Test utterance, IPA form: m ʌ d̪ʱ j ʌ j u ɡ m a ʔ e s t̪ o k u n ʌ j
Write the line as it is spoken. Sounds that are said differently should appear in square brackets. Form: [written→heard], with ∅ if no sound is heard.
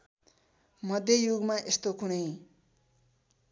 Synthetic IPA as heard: m ʌ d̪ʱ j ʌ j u ɡ m a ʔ e s t̪ o k u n ʌ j